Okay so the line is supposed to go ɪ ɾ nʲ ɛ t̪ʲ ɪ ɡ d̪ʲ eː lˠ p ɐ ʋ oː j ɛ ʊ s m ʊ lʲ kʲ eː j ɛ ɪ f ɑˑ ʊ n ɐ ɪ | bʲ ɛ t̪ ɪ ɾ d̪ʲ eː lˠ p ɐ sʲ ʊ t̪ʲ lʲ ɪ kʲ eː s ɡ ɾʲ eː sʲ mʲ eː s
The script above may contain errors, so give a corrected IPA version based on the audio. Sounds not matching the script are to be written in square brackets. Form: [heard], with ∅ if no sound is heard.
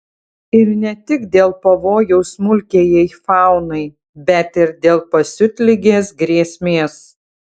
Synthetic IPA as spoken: ɪ ɾ nʲ ɛ t̪ʲ ɪ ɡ d̪ʲ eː lˠ p ɐ ʋ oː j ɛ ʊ s m ʊ lʲ kʲ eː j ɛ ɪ f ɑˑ ʊ n ɐ ɪ | bʲ ɛ t̪ ɪ ɾ d̪ʲ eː lˠ p ɐ sʲ ʊ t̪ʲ lʲ ɪ [ɡʲ] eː s ɡ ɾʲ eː sʲ mʲ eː s